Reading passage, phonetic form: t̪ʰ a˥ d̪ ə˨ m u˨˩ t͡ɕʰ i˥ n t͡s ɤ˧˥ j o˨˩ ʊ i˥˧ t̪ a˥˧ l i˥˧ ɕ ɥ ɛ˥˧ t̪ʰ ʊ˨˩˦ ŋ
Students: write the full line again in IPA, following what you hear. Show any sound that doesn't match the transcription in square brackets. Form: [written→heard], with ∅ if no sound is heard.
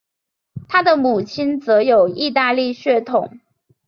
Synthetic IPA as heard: t̪ʰ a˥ d̪ ə˨ m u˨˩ t͡ɕʰ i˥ n t͡s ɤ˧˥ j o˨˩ ʊ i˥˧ t̪ a˥˧ l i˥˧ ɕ ɥ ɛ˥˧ t̪ʰ ʊ˨˩˦ ŋ